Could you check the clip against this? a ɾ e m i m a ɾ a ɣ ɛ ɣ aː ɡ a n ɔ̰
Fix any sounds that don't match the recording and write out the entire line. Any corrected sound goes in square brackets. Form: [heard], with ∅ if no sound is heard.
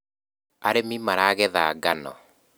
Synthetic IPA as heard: a ɾ e m i m a ɾ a ɣ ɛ [ð] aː ɡ a n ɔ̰

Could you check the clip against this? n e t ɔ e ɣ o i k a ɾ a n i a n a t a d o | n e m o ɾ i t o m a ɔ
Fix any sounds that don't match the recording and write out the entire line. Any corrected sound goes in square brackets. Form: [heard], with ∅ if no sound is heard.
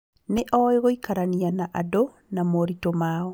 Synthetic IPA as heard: n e [ʔ] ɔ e ɣ o i k a ɾ a n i a n a [ʔ] a d o | n [a] m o ɾ i t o m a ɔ

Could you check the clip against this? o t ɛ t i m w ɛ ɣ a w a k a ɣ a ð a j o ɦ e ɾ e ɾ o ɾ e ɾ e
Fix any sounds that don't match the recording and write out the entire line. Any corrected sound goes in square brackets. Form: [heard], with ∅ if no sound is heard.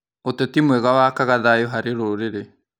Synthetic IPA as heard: o t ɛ t i m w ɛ ɣ a w a k a ɣ a ð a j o ɦ [a] ɾ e ɾ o ɾ e ɾ e

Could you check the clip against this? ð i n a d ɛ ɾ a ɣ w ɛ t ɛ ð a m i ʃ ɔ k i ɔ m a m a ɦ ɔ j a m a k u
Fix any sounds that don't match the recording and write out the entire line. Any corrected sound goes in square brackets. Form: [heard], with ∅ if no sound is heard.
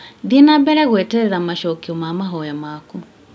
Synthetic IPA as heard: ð i n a [b] ɛ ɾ [ɛ] ɣ w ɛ t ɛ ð a m [a] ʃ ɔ k i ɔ m a m a ɦ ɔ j a m a k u

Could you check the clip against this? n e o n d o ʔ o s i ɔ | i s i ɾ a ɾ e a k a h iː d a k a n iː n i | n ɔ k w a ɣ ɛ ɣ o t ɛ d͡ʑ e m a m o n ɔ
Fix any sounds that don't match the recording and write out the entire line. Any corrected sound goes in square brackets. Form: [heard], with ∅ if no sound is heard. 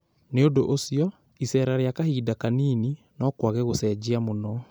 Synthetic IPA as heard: n e o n d o ʔ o s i ɔ | i s [ɛ] ɾ a ɾ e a k a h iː d a k a n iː n i | n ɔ k w a ɣ ɛ ɣ o [s] ɛ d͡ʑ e [∅] a m o n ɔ

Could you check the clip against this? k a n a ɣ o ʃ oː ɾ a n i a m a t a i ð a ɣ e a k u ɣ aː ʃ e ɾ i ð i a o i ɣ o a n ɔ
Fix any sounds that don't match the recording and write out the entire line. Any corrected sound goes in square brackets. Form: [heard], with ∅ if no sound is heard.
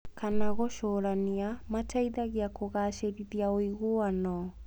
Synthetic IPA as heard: k a n a ɣ o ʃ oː ɾ a n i a m a t a i ð a ɣ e a k [o] ɣ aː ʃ e ɾ i ð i a o i ɣ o a n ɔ

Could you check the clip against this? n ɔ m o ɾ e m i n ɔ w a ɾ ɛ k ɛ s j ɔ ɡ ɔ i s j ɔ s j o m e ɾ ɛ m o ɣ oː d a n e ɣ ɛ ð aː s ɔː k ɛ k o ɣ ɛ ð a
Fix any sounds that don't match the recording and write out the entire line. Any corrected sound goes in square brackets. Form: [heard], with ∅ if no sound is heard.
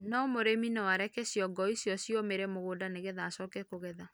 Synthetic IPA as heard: n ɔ m o ɾ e m i n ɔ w a ɾ ɛ k ɛ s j ɔ ɡ ɔ i s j ɔ s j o m e ɾ ɛ m o ɣ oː d a n e ɣ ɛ ð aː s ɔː k ɛ k o ɣ ɛ ð a

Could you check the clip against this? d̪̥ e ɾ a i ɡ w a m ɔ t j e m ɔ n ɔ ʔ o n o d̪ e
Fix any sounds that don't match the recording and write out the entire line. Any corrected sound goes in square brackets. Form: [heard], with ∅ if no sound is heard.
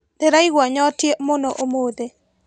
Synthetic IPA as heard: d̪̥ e ɾ a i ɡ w a [ɲ] ɔ t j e m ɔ n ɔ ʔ o [m] o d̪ e

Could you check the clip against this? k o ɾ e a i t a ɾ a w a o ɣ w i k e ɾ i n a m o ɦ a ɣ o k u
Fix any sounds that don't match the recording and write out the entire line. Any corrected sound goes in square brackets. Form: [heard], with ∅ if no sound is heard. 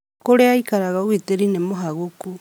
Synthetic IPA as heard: k o ɾ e a i [k] a ɾ a [ɣ] a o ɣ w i [t] e ɾ i n [e] m o ɦ a ɣ o k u

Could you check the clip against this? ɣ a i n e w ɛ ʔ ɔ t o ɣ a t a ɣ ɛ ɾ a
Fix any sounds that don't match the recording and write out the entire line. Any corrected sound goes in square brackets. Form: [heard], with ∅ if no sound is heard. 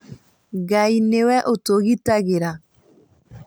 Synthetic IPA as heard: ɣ a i n e w ɛ ʔ [o] t o ɣ [i] t a ɣ [e] ɾ a

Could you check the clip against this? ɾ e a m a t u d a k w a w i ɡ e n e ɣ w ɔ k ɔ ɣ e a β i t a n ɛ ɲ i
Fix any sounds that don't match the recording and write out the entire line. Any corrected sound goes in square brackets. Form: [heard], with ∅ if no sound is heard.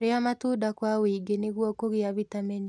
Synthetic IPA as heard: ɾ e a m a t u d a k w a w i ɡ e n e ɣ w ɔ k [o] ɣ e a β i t a [m] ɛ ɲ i

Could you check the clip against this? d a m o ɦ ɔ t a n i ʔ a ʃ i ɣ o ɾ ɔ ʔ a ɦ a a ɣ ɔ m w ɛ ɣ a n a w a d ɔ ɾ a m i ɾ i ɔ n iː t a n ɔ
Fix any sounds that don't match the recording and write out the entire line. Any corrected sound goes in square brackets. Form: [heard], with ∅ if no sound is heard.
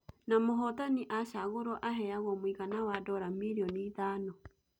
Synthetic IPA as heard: [n] a m o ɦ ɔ t a n i ʔ a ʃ [a] ɣ o ɾ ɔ ʔ a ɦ [ɛ] a ɣ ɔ m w [i] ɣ a n a w a d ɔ ɾ a m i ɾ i ɔ n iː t a n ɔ

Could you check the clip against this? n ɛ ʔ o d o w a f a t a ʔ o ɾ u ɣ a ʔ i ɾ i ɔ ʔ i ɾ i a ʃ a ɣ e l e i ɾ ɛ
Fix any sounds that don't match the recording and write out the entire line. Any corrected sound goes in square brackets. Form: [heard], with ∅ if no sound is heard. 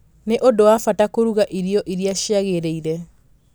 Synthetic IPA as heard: n [e] ʔ o d o w a f a t a [k] o ɾ u ɣ a ʔ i ɾ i ɔ ʔ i ɾ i a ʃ a ɣ e [ɾ] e i ɾ ɛ

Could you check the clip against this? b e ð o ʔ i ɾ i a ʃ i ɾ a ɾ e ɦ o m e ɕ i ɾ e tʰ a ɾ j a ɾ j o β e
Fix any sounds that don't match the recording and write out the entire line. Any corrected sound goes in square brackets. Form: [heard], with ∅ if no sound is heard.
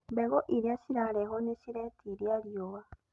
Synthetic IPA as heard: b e [ɣ] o ʔ i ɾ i a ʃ i ɾ a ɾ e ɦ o [n] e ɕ i ɾ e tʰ [i] ɾ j a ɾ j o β [a]

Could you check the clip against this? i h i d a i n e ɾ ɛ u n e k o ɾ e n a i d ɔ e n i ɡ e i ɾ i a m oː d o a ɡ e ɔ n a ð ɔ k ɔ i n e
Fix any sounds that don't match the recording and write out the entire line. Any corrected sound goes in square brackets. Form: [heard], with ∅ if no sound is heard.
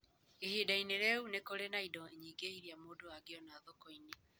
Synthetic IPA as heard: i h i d a i n e ɾ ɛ u n e k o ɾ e n a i d ɔ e [ɲ] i ɡ e i ɾ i a m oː d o a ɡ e ɔ n a ð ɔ k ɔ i n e

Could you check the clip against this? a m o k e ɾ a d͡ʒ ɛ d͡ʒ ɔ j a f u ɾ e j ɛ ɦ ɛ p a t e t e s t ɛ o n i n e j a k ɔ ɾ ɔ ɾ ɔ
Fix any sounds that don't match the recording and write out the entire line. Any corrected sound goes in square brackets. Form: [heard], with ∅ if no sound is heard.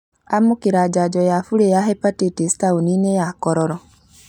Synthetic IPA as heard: a m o k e ɾ a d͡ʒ [a] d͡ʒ ɔ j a f u ɾ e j [a] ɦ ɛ p a t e t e s t [a] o n i n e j a k ɔ ɾ ɔ ɾ ɔ

